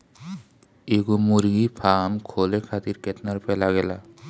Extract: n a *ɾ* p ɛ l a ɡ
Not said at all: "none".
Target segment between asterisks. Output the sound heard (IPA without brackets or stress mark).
ɾ